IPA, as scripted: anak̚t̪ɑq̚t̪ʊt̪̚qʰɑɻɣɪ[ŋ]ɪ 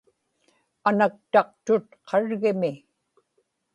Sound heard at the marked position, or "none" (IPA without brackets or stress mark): m